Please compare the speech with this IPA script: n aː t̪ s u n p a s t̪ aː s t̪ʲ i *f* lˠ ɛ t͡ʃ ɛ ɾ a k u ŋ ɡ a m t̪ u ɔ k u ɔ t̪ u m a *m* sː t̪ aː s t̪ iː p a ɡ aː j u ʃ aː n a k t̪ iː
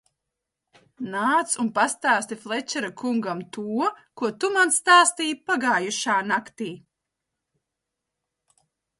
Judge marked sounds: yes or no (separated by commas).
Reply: yes, no